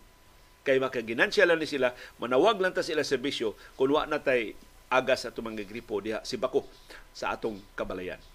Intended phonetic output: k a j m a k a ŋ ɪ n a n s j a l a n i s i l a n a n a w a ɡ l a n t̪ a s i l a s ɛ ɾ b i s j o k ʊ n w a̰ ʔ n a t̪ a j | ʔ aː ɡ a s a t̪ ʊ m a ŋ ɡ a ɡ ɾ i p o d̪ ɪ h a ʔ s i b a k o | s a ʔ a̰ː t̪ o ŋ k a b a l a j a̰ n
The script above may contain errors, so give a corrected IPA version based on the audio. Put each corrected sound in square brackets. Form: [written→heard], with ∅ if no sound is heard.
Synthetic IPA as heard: k a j m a k a [ŋ→ɡ] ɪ n a n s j a l a n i s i l a [n→m] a n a w a ɡ l a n t̪ a s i l a s ɛ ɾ b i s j o k ʊ n w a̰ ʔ n a t̪ a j | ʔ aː ɡ a s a t̪ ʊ m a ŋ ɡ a ɡ ɾ i p o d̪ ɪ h a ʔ s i b a k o | s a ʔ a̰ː t̪ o ŋ k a b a l a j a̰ n